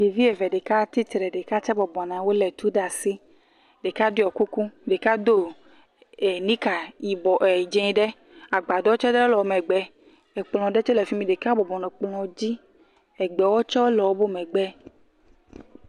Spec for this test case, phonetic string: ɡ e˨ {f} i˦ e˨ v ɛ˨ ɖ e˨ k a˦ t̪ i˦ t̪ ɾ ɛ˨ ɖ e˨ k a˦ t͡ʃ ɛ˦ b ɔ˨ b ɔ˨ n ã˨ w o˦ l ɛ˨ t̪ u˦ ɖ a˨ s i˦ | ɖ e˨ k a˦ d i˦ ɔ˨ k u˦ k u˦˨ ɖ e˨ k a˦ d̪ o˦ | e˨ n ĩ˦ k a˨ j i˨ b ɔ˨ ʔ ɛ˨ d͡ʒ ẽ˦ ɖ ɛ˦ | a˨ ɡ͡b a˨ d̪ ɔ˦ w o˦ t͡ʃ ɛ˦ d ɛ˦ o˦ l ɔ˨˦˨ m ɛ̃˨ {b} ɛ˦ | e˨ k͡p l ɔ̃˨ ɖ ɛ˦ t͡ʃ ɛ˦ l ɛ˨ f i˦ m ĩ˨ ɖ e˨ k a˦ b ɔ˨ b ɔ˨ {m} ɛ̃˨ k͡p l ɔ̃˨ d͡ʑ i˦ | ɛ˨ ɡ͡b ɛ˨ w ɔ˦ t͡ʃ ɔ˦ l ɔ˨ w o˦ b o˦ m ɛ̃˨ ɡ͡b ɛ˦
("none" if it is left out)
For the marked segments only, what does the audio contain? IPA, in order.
v, ɡ͡b, n

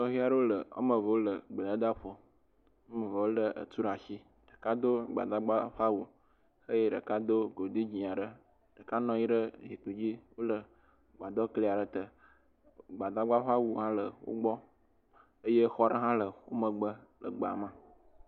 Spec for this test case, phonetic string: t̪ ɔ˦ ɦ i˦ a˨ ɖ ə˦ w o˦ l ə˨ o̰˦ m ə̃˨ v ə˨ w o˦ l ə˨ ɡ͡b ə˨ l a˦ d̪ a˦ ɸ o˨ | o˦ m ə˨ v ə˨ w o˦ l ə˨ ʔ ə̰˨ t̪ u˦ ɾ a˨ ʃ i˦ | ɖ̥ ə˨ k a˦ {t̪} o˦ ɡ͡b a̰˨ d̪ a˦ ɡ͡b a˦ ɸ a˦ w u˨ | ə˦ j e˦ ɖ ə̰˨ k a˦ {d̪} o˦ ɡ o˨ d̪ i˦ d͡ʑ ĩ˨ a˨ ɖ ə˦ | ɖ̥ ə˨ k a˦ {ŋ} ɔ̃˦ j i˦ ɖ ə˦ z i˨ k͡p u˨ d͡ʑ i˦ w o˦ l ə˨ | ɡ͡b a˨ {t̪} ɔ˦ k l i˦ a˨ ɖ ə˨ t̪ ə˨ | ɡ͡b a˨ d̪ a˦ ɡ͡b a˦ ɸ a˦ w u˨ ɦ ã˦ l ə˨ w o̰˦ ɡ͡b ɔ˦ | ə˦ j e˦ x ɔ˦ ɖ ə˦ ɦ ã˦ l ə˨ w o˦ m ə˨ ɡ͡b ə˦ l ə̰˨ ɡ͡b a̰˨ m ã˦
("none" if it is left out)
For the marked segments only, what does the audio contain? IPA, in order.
d̪, d̪, n, d̪

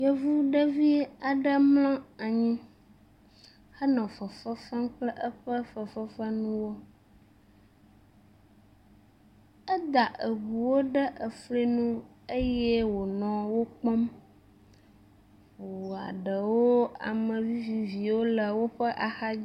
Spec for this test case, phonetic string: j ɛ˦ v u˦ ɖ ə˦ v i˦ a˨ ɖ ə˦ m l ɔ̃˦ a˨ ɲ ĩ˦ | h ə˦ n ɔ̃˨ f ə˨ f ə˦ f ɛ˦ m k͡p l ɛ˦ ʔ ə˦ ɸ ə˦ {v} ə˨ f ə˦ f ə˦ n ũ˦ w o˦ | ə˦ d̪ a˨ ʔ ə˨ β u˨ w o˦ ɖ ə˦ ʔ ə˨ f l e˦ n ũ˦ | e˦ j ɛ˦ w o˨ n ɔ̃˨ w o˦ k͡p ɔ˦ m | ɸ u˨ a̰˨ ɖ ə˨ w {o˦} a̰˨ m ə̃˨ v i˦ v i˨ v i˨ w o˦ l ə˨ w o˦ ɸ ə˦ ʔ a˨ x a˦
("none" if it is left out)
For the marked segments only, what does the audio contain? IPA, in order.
f, o˦

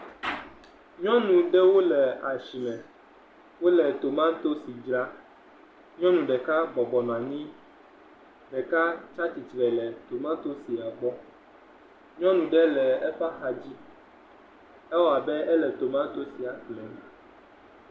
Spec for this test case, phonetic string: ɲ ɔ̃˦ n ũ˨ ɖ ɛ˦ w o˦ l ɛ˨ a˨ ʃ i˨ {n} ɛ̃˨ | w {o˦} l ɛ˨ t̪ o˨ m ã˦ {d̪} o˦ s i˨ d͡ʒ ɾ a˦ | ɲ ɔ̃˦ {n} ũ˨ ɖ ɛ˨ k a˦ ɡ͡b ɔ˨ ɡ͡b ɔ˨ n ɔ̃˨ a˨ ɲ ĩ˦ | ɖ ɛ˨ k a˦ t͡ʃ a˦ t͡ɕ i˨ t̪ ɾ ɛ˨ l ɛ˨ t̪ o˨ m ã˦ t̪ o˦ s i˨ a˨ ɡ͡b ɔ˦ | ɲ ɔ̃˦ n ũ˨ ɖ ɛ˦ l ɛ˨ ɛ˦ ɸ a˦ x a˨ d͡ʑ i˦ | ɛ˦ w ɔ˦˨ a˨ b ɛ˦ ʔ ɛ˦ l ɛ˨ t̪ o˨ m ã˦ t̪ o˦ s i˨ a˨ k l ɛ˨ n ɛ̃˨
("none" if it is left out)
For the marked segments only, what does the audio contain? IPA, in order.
m, o˦, t̪, n

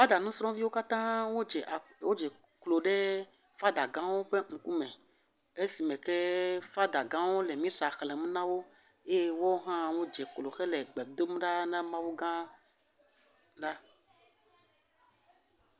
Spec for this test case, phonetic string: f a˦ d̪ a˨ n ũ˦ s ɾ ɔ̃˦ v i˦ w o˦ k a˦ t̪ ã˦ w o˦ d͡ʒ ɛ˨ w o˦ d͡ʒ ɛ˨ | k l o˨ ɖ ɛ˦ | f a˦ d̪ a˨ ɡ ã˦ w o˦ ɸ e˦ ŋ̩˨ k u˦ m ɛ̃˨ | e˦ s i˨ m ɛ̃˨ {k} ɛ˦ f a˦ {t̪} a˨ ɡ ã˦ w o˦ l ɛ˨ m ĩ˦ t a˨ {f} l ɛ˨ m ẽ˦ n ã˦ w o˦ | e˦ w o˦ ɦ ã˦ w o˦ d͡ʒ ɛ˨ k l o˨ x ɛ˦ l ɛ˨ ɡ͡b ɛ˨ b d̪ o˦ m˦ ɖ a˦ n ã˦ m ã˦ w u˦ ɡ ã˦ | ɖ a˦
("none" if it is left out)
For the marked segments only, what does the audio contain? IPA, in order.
k, d̪, x

